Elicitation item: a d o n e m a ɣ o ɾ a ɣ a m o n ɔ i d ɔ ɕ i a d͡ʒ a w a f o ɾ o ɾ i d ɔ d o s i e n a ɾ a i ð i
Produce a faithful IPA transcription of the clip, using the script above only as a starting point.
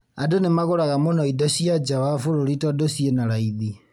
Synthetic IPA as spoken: a d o n e m a ɣ o ɾ a ɣ a m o n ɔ i d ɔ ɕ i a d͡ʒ a w a f o ɾ o ɾ i t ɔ d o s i e n a ɾ a i ð i